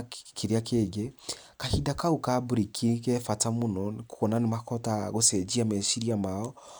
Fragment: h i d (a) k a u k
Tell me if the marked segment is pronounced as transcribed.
yes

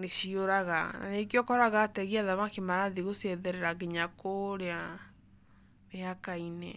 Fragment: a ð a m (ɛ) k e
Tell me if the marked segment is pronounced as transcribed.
no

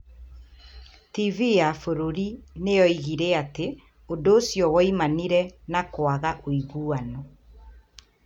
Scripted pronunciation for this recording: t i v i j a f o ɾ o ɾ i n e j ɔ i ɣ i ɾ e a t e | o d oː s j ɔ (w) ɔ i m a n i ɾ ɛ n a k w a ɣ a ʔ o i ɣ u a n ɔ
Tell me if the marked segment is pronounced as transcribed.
yes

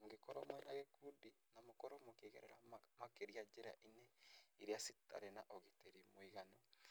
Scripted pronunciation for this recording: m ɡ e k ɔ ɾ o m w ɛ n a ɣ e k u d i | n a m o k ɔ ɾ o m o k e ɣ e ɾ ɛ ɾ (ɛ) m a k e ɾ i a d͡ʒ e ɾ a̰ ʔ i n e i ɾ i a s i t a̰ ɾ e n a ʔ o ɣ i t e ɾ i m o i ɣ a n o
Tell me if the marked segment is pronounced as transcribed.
no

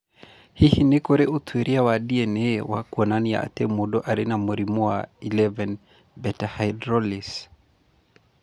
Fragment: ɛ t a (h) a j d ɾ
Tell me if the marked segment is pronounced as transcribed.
yes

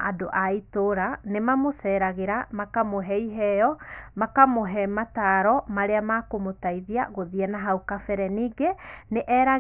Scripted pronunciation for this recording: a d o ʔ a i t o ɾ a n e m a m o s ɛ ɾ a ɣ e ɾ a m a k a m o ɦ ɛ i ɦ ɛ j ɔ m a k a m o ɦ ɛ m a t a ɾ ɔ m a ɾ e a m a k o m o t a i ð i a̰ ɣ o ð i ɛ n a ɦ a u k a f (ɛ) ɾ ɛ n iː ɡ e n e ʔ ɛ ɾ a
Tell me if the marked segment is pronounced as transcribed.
yes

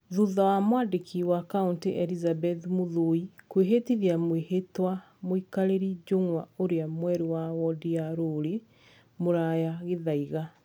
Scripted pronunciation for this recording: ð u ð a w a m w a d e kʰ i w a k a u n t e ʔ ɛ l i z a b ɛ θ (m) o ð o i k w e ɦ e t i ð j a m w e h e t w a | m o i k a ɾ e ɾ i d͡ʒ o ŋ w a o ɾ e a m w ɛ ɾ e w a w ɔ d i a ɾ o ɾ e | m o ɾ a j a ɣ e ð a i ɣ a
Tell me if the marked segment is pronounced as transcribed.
yes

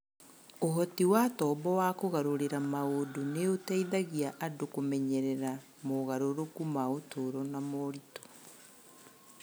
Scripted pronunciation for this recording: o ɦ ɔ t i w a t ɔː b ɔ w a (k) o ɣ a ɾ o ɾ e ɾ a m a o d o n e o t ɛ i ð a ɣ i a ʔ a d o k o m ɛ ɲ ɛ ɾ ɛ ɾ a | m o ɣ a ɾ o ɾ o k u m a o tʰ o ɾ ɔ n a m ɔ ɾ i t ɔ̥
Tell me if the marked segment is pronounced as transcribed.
yes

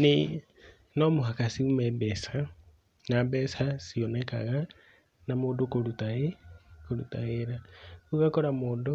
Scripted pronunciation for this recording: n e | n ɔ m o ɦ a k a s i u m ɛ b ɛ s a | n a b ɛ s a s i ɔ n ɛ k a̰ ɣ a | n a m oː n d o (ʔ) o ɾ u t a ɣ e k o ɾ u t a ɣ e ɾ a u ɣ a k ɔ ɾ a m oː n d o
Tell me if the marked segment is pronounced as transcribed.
no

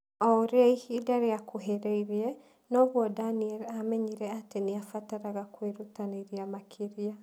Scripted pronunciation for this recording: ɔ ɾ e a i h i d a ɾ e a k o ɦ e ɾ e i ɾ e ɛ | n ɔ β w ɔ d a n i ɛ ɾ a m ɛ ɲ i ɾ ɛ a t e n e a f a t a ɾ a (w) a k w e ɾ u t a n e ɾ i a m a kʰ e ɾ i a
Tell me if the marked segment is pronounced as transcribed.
no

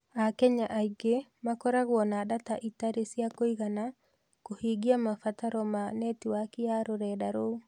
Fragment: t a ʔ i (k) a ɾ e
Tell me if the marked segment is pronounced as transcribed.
no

